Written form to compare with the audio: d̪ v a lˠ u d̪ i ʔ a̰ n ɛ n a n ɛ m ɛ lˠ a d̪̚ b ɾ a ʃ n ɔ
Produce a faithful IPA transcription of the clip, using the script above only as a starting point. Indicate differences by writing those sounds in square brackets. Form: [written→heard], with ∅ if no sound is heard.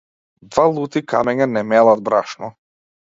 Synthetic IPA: d̪ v a lˠ u [d̪→t̪] i [ʔ→k] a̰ [n→m] ɛ [n→ɲ] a n ɛ m ɛ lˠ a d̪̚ b ɾ a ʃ n ɔ

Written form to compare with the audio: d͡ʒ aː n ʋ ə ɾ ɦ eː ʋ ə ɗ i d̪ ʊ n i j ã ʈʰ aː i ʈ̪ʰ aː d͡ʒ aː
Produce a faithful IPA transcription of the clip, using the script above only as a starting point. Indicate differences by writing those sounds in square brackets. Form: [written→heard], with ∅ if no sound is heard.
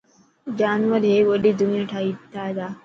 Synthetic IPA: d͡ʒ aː n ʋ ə ɾ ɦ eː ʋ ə ɗ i d̪ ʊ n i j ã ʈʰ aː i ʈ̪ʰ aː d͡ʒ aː

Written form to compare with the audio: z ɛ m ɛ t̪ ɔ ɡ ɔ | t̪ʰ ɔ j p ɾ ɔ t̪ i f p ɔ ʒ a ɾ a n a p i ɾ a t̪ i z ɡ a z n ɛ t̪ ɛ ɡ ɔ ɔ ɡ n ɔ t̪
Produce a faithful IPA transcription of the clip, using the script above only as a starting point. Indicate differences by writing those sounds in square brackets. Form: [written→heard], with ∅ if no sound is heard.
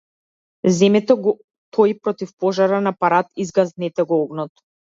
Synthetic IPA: z ɛ m ɛ t̪ ɔ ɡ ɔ | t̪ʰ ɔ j p ɾ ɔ t̪ i f p ɔ ʒ a ɾ a n a p [i→a] ɾ a t̪ i z ɡ a z n ɛ t̪ ɛ ɡ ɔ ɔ ɡ n ɔ t̪

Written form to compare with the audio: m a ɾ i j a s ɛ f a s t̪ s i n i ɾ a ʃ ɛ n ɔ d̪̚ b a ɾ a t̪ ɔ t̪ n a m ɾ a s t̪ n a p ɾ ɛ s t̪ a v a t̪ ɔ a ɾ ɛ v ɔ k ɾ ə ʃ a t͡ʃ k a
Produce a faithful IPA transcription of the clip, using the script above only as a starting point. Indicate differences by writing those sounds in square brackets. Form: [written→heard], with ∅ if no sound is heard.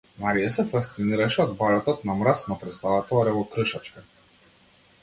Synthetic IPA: m a ɾ i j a s ɛ f a s t̪ s i n i ɾ a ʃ ɛ [n→∅] ɔ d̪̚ b a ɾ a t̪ ɔ t̪ n a m ɾ a s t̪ n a p ɾ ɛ s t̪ a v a t̪ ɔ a ɾ ɛ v ɔ k ɾ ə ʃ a t͡ʃ k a

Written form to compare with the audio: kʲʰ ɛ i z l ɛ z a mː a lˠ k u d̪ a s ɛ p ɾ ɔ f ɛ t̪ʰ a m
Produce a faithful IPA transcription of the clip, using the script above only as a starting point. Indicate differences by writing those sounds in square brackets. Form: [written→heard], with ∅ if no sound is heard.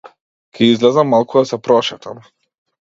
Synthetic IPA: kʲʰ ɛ i z l ɛ z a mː a lˠ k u d̪ a s ɛ p ɾ ɔ [f→ʃ] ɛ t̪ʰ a m

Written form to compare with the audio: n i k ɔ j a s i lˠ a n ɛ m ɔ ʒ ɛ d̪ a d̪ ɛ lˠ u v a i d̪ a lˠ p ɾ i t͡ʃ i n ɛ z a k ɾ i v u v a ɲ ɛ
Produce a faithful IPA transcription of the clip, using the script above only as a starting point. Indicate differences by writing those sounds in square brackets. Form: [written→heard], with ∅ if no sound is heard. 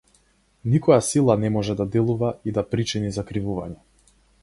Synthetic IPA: n i k ɔ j a s i lˠ a n ɛ m ɔ ʒ ɛ d̪ a d̪ ɛ lˠ u v a i d̪ a [lˠ→∅] p ɾ i t͡ʃ i n [ɛ→i] z a k ɾ i v u v a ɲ ɛ

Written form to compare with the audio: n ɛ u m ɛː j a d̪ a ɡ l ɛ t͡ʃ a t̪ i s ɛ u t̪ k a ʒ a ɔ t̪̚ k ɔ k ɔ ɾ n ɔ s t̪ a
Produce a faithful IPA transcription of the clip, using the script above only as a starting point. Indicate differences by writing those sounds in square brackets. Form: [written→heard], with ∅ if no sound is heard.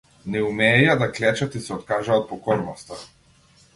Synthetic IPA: n ɛ u m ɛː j a d̪ a [ɡ→k] l ɛ t͡ʃ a t̪ i s ɛ [u→ɔ] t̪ k a ʒ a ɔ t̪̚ [k→p] ɔ k ɔ ɾ n ɔ s t̪ a

